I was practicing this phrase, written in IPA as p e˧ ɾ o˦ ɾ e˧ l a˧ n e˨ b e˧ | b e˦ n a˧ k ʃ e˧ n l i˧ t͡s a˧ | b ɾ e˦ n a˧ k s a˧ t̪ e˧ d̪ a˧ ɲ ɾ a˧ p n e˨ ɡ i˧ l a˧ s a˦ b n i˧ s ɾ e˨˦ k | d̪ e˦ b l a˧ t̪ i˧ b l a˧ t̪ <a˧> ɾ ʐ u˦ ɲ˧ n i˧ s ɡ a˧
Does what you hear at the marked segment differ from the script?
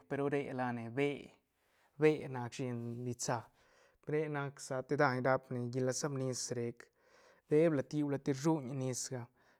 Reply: yes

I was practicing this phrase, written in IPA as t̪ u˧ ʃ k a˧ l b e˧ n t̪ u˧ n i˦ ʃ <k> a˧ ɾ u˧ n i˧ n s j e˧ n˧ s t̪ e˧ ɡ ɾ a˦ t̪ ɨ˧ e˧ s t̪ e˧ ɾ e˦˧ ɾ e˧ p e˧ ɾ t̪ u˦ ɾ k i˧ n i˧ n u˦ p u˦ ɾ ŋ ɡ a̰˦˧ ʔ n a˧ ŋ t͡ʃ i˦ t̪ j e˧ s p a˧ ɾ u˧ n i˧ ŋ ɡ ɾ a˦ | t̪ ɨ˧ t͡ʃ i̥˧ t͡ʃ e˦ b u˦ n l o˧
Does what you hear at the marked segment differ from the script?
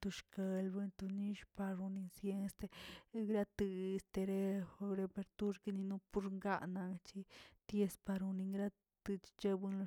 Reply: yes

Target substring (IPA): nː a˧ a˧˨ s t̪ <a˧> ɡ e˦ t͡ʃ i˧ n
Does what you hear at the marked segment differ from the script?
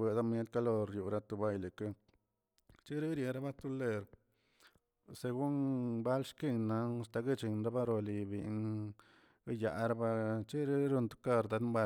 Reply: no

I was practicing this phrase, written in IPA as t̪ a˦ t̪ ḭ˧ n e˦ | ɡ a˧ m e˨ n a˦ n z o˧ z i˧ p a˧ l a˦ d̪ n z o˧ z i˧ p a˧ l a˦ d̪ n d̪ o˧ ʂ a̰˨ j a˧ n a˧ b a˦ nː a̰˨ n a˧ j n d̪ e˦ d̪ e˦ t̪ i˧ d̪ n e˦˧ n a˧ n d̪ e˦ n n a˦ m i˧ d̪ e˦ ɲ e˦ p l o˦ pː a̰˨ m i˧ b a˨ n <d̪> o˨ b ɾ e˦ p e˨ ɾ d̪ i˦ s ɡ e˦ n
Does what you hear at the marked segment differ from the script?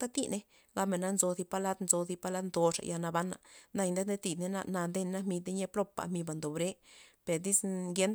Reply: no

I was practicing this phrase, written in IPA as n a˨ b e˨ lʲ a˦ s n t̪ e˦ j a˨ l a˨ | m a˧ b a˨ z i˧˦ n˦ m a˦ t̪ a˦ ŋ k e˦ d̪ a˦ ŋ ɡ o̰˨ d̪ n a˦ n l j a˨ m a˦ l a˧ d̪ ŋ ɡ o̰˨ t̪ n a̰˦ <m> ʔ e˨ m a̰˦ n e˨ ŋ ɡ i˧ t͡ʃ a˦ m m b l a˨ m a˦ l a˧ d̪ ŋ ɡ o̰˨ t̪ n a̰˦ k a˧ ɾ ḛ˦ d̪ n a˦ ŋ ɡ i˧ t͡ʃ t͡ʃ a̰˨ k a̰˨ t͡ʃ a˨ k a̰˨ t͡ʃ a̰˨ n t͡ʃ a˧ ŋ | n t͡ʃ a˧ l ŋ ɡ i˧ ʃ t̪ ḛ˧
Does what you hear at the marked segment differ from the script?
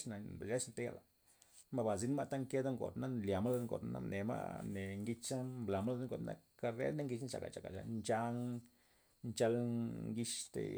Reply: yes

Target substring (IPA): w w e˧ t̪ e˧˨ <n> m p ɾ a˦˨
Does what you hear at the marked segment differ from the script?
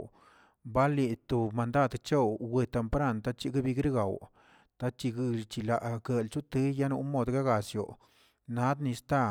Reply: yes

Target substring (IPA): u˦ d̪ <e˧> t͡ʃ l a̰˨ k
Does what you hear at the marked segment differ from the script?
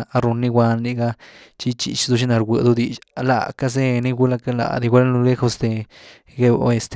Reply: yes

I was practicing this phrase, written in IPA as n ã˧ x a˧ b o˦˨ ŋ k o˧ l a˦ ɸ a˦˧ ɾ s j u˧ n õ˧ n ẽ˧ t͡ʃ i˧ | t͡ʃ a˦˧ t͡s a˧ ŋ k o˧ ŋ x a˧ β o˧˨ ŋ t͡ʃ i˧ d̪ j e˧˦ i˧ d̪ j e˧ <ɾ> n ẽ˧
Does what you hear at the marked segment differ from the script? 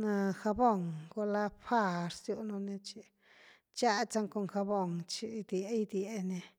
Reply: yes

